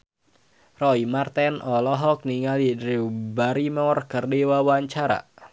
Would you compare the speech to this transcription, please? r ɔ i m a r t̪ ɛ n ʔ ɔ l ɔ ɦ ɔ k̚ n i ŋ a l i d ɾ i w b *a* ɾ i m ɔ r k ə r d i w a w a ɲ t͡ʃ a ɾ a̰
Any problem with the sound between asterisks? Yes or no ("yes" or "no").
no